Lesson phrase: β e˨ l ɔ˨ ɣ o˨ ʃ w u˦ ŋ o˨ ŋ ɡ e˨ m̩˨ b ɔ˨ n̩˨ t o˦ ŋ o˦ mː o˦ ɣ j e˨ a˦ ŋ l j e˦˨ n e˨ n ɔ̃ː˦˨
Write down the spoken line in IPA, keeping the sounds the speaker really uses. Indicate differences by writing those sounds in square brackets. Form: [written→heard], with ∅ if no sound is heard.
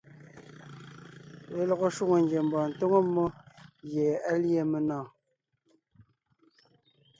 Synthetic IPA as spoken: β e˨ l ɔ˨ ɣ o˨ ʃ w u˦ ŋ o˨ ŋ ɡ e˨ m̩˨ b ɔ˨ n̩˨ t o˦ ŋ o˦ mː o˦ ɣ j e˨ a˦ [ŋ→∅] l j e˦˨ [n→m] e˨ n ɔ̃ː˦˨

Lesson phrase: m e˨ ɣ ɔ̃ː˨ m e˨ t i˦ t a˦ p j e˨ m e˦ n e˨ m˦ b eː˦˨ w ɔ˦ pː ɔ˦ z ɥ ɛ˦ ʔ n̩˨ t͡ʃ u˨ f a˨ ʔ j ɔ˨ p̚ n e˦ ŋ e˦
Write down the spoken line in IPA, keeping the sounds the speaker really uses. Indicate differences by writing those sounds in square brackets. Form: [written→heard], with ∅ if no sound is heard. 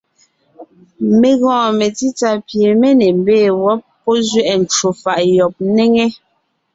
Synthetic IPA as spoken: m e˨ ɣ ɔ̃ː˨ m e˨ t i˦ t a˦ p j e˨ m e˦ n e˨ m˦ b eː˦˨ w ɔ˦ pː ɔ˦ z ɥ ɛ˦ ʔ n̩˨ t͡ʃ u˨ f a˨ ʔ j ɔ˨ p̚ n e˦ ŋ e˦

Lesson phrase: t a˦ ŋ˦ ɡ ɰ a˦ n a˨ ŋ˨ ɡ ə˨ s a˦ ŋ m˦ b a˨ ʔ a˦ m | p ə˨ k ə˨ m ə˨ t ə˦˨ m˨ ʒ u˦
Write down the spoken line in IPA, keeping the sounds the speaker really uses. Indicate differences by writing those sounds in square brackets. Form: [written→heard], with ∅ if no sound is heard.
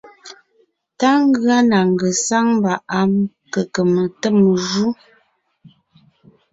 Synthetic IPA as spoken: t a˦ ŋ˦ ɡ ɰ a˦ n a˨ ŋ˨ ɡ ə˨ s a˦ ŋ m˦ b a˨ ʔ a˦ m | [p→k] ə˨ k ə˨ m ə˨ t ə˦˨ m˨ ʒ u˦

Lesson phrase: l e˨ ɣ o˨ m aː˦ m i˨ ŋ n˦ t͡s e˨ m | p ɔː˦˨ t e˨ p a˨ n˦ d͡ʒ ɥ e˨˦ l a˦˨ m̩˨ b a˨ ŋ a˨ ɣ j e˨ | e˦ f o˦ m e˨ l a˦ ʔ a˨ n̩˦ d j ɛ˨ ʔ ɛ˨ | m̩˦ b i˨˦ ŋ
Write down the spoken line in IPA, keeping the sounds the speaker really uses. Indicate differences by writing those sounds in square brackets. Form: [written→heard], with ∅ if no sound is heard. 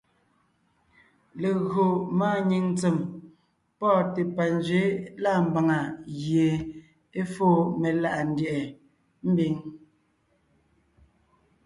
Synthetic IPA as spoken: l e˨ ɣ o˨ m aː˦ [m→ɲ] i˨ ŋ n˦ t͡s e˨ m | p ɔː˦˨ t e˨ p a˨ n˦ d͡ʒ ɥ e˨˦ l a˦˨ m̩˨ b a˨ ŋ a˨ ɣ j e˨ | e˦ f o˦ m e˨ l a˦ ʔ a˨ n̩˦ d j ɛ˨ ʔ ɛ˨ | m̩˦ b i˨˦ ŋ

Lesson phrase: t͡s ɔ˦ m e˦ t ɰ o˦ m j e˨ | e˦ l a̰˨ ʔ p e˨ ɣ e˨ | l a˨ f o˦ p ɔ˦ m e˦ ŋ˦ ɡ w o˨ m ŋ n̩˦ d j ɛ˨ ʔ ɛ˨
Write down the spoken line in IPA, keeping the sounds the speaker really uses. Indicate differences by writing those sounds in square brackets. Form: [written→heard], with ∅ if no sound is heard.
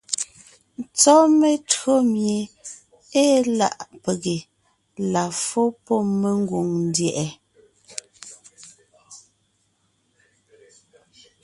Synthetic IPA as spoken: t͡s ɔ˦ m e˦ t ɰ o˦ m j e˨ | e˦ l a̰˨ ʔ p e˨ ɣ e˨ | l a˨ f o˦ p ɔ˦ m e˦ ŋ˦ ɡ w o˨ [m→∅] ŋ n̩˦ d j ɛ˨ ʔ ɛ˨

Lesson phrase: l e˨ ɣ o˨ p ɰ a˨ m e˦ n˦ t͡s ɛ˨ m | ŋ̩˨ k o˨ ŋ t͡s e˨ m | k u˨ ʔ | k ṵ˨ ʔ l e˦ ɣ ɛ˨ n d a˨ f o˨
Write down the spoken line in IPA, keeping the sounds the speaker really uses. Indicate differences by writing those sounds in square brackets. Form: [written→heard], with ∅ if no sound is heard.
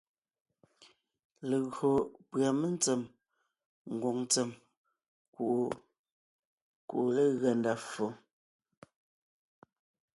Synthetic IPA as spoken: l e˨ ɣ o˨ p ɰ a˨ m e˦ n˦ t͡s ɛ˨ m | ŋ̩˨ [k→ɡ] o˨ ŋ t͡s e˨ m | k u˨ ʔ | k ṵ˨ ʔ l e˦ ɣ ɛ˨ n d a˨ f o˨

